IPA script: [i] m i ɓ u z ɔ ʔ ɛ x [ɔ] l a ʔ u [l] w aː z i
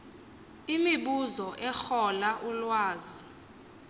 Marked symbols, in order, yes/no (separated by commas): yes, yes, yes